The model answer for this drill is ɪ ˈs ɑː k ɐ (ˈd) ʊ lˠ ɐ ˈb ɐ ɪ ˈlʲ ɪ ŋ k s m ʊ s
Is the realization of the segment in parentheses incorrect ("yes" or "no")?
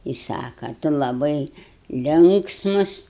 yes